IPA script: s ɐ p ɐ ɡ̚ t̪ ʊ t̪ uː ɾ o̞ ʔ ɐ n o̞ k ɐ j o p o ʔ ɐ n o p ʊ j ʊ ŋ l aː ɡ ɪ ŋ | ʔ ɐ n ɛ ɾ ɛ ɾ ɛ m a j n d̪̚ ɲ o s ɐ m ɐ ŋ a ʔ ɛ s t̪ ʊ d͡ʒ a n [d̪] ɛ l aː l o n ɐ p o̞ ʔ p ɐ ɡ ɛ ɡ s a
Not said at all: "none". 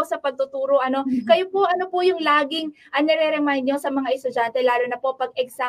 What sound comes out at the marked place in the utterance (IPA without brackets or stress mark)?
t̪